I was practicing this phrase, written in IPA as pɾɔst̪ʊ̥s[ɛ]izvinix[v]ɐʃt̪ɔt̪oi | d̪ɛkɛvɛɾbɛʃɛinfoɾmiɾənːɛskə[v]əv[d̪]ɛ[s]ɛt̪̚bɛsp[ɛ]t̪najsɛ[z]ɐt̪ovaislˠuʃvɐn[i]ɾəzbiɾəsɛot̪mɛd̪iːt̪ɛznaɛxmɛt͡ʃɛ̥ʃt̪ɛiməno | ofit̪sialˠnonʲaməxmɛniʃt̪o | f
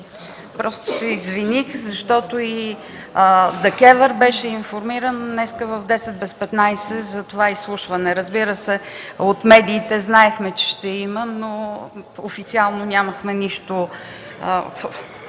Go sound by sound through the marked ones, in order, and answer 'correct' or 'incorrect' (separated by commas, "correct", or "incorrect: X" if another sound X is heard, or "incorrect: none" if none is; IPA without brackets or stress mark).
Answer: correct, incorrect: z, correct, correct, correct, correct, correct, incorrect: ɛ